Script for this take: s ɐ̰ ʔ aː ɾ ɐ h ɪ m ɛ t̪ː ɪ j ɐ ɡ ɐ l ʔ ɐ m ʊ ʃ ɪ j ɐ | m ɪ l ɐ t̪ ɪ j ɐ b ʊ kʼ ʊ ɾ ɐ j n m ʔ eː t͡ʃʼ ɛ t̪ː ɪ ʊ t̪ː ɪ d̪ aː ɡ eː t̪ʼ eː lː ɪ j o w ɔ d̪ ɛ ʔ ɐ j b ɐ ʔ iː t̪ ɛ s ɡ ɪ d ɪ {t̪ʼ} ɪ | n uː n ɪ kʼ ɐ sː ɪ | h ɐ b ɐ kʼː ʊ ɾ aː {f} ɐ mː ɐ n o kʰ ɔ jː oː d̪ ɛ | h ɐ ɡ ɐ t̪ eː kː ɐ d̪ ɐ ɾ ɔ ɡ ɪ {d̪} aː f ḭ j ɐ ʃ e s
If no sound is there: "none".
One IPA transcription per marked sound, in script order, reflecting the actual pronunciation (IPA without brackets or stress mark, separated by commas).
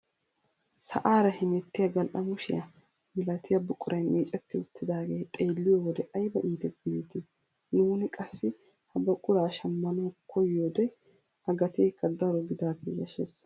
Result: t̪, ʃ, d̪